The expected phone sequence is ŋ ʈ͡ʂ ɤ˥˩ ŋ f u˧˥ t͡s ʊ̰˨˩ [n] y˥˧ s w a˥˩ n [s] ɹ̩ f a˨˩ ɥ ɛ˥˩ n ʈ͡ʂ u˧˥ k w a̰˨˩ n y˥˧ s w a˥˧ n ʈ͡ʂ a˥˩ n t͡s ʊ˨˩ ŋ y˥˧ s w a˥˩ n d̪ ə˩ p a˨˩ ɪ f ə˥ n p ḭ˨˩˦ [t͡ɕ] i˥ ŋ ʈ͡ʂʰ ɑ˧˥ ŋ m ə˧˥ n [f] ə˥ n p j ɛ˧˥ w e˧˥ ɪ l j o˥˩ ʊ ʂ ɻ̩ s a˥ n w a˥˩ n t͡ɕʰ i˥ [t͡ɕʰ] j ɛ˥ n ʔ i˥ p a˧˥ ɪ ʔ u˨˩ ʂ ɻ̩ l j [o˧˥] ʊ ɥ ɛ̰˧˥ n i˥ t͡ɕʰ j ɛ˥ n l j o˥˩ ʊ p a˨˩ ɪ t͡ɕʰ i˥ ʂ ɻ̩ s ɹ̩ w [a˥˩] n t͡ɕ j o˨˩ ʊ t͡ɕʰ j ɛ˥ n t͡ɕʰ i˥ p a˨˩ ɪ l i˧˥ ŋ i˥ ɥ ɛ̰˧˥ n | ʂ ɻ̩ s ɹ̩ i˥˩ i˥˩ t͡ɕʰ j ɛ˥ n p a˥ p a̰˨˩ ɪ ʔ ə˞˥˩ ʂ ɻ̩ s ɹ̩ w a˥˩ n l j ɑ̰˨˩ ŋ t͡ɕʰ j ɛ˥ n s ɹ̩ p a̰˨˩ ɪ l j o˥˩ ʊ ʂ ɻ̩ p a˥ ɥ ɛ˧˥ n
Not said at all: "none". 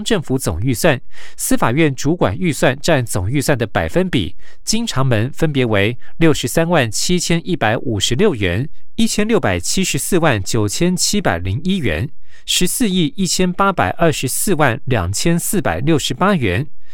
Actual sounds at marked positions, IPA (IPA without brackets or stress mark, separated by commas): ŋ, s, t͡ɕ, f, t͡ɕʰ, o˥˩, a˥˩